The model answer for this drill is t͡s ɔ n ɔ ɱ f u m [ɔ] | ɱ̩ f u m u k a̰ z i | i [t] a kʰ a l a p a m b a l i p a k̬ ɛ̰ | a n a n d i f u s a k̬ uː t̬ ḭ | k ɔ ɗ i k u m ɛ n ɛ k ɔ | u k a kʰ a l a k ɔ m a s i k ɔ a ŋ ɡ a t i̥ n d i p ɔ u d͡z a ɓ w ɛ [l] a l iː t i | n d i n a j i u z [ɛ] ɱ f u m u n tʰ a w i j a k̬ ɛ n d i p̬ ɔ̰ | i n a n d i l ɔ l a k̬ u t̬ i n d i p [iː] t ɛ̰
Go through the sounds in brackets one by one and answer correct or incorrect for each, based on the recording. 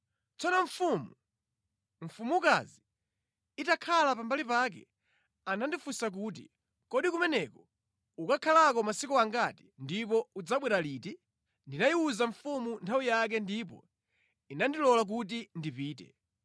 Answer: incorrect: u, correct, incorrect: ɾ, incorrect: a, correct

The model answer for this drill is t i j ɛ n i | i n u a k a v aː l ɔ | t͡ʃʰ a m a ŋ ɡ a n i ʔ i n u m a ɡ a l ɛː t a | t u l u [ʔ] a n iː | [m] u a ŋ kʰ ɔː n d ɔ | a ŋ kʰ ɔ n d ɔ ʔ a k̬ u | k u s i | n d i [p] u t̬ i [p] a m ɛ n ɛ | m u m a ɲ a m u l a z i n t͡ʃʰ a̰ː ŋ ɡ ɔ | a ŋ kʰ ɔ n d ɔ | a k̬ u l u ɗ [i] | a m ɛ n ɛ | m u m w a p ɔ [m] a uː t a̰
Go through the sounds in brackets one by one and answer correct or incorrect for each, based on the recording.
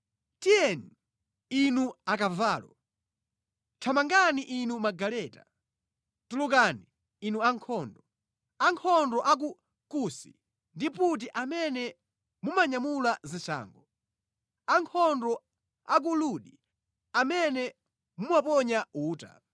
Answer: incorrect: k, incorrect: n, correct, incorrect: ʔ, correct, incorrect: ɲ

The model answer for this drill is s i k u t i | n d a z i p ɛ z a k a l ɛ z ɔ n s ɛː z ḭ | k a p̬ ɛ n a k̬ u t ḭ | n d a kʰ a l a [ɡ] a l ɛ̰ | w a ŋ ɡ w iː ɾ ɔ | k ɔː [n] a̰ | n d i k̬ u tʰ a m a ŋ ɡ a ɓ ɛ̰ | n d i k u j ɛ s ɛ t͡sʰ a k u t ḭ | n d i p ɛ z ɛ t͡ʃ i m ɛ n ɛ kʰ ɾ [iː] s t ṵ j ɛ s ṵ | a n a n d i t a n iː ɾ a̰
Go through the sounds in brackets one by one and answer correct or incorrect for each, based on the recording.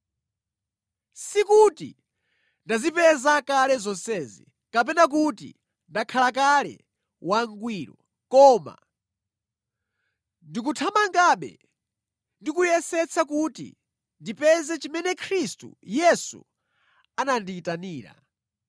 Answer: incorrect: k, incorrect: m, incorrect: i

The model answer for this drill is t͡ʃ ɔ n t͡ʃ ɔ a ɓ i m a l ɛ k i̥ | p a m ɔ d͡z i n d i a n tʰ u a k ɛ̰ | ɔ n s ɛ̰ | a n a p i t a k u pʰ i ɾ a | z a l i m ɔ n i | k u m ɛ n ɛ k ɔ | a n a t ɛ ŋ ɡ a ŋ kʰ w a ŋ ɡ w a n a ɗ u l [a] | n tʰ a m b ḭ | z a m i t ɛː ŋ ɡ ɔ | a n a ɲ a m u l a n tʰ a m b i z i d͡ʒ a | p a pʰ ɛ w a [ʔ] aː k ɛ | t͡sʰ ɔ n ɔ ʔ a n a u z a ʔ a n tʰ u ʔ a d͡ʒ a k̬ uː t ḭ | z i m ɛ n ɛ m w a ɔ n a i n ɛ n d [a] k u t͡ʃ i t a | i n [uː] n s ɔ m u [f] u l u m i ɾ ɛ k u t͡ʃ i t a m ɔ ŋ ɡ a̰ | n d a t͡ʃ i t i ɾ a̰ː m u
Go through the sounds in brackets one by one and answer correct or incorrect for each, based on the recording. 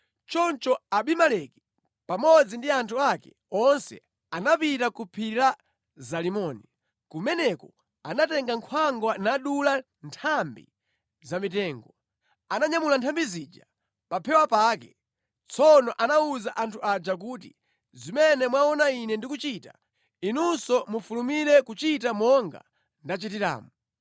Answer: correct, incorrect: p, incorrect: i, incorrect: u, correct

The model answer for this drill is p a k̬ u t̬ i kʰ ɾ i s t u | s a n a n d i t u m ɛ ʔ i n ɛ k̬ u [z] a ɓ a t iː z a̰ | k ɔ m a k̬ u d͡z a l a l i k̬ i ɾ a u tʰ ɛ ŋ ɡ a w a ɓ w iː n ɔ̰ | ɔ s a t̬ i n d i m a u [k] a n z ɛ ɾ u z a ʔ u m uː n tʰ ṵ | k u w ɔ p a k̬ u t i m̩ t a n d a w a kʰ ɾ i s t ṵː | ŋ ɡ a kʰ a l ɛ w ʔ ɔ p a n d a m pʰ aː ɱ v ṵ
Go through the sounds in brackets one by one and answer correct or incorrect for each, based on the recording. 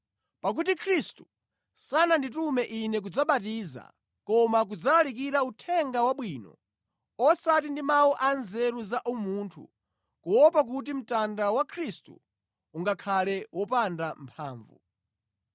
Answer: incorrect: d͡z, incorrect: ʔ

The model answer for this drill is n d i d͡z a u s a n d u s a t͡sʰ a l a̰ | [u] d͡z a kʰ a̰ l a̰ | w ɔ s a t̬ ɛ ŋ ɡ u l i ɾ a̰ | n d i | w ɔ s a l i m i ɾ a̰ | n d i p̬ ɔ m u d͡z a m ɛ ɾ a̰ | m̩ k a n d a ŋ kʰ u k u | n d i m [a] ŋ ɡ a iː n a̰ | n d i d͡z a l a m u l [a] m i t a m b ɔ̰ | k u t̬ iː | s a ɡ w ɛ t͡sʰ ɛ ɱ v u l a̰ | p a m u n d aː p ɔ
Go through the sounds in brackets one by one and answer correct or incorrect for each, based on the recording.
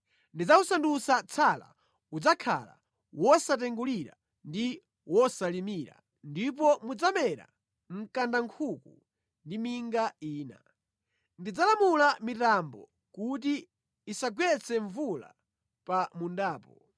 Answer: correct, incorrect: i, correct

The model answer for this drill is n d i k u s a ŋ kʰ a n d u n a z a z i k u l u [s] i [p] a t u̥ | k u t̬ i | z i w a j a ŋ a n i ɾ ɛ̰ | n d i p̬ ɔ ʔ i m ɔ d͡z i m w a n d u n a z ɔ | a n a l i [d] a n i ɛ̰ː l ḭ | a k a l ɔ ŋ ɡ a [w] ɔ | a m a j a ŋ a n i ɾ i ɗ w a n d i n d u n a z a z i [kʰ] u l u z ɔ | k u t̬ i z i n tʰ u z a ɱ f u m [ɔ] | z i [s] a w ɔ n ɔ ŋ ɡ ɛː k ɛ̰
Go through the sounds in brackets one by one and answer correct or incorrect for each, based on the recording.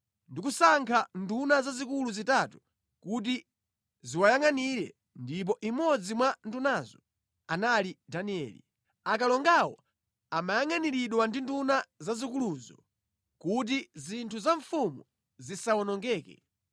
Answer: incorrect: z, incorrect: t, correct, correct, incorrect: k, incorrect: u, correct

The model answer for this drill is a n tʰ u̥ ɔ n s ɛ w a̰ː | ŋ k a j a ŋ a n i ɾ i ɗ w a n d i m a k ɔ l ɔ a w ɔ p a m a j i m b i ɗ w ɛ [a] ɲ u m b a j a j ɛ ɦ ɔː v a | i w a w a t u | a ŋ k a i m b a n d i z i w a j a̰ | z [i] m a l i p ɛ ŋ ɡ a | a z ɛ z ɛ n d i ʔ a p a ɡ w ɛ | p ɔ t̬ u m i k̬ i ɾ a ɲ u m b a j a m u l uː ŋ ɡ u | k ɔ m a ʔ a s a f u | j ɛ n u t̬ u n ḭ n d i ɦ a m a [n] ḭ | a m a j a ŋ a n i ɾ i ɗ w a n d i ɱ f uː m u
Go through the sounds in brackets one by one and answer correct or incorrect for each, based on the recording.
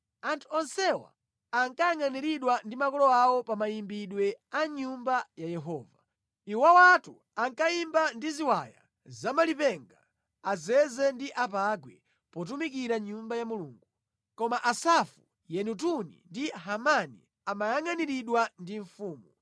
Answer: correct, incorrect: a, correct

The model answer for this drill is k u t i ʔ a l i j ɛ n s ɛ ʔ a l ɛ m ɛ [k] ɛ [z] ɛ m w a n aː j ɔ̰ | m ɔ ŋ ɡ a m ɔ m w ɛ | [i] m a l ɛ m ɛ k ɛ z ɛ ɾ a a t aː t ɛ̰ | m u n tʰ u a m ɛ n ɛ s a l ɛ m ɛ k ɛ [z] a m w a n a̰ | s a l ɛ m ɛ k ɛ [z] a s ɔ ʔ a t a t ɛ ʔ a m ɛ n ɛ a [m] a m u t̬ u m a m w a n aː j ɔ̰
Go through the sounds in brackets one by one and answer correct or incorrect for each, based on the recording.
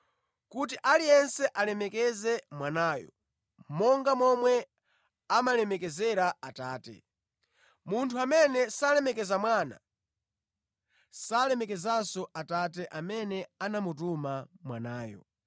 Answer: correct, correct, incorrect: a, correct, correct, incorrect: n

